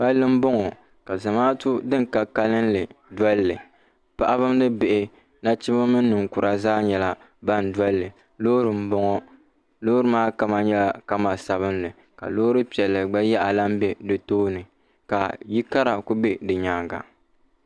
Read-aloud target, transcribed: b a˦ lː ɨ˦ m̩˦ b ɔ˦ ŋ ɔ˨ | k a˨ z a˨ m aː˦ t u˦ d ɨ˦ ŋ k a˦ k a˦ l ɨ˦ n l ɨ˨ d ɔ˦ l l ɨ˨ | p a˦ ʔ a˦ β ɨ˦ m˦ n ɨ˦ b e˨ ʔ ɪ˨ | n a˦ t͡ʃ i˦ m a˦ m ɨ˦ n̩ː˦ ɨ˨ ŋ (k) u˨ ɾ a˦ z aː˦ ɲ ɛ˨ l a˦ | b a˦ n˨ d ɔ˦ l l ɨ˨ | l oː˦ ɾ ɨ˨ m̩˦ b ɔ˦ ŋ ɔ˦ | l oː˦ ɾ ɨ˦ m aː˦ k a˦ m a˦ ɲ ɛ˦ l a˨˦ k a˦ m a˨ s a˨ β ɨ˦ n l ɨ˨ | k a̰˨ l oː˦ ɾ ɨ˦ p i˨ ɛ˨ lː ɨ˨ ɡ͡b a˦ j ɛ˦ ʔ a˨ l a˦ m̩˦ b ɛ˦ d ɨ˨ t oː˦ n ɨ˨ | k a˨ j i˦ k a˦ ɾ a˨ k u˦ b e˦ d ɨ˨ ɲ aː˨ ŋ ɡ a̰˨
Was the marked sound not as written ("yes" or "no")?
no